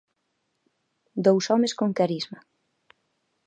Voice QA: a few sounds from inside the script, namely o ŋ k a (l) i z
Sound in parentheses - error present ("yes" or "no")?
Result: yes